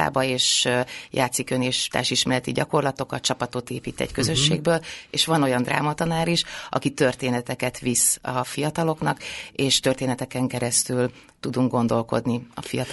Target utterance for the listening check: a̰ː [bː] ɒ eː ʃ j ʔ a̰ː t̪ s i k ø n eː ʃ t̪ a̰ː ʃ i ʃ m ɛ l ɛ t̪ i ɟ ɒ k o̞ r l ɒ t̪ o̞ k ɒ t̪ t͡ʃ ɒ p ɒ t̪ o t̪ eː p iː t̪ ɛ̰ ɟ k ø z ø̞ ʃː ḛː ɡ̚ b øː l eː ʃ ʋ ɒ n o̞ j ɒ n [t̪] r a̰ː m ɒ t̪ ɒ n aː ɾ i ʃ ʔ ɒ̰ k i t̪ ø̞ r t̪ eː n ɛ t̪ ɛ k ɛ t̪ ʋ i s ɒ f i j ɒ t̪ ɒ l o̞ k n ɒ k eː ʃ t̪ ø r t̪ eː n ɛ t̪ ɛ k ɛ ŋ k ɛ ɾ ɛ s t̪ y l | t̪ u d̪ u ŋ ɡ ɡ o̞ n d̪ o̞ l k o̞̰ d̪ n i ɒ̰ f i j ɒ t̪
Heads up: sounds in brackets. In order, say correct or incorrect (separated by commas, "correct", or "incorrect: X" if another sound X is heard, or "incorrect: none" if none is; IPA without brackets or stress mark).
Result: incorrect: b, incorrect: d̪